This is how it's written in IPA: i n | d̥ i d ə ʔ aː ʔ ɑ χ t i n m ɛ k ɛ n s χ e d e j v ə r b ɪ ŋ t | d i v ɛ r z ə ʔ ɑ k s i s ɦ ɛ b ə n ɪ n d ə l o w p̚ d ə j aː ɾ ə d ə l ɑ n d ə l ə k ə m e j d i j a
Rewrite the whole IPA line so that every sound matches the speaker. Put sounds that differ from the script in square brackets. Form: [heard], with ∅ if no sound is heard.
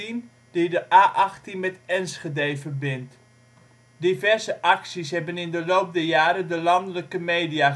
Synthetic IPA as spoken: i n | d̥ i d ə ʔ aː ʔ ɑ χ t i n m ɛ [t] ɛ n s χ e d e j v ə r b ɪ [n] t | d i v ɛ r z ə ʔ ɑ k s i s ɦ ɛ b ə n ɪ n d ə l o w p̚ d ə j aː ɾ ə d ə l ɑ n d ə l ə k ə m e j d i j a

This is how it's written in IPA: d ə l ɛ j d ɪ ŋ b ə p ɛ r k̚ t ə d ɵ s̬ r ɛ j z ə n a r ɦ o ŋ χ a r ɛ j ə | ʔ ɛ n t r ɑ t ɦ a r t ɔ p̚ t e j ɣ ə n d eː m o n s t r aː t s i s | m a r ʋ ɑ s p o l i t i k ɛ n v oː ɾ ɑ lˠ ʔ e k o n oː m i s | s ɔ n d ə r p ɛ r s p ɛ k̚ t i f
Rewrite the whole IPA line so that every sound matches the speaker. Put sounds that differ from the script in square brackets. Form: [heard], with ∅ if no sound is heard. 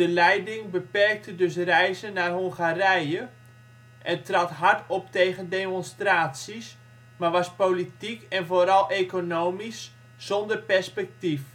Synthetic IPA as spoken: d ə l ɛ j d ɪ ŋ b ə p ɛ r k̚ t ə d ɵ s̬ r ɛ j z ə n a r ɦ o ŋ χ a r ɛ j ə | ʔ ɛ n t r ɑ t ɦ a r t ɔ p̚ t e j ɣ ə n d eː m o n s t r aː t s i s | m a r ʋ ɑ s p o l i t i k ɛ n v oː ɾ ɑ lˠ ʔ e k o n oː m i s | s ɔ n d ə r p ɛ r s p ɛ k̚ t i f

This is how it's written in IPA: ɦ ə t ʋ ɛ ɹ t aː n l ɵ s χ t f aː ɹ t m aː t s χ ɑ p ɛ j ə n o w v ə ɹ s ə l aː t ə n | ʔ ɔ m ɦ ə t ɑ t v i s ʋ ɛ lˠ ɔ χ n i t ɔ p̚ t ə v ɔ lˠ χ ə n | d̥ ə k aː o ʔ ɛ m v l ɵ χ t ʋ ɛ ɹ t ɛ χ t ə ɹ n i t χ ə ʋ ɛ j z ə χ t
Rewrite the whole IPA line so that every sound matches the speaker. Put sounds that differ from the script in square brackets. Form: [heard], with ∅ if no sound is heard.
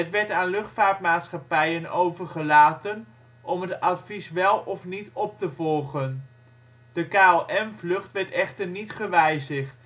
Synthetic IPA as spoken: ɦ ə t ʋ ɛ ɹ t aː n l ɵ [∅] χ t f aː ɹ t m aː t s χ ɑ p ɛ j ə n o w v ə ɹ [χ] ə l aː t ə n | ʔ ɔ m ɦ ə t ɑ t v i s ʋ ɛ lˠ ɔ [f] n i t ɔ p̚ t ə v ɔ lˠ χ ə n | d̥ ə k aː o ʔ ɛ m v l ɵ χ t ʋ ɛ ɹ t ɛ χ t ə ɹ n i t χ ə ʋ ɛ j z ə χ t

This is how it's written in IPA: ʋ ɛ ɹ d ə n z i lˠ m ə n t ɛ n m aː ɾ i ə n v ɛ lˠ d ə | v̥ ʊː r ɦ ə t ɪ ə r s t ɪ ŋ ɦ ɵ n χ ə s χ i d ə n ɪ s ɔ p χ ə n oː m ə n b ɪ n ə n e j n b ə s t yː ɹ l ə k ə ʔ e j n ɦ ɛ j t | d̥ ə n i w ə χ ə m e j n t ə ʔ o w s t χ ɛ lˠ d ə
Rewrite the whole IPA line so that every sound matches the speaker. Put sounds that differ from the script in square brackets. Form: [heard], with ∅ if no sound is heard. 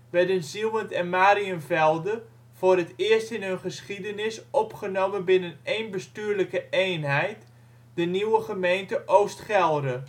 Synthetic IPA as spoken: ʋ ɛ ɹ d ə n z i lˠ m ə n t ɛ n m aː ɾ i ə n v ɛ lˠ d ə | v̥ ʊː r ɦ ə t ɪ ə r s t ɪ [n] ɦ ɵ n χ ə s χ i d ə n ɪ s ɔ p χ ə n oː m ə n b ɪ n ə n e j n b ə s t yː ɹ l ə k ə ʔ e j n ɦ ɛ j t | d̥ ə n i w ə χ ə m e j n t ə ʔ o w s t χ ɛ lˠ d ə

